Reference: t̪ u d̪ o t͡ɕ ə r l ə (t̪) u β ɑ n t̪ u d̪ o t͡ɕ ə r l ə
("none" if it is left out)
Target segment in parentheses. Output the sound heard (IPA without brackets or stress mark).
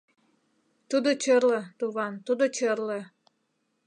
t̪